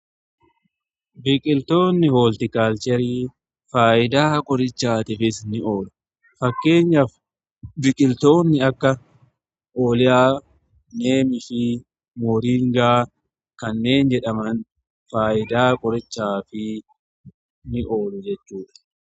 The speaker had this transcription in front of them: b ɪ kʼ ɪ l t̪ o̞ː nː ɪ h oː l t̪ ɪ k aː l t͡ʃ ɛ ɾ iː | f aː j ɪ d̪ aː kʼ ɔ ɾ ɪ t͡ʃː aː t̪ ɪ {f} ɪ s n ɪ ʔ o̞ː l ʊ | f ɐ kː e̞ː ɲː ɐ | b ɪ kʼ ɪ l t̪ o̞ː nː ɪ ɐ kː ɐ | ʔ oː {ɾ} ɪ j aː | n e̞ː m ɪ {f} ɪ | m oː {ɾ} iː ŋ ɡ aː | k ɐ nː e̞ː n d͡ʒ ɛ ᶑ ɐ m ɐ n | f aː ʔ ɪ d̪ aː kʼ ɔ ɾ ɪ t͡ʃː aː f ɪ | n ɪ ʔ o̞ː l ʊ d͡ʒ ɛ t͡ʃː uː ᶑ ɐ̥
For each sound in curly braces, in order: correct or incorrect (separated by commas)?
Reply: correct, incorrect, correct, correct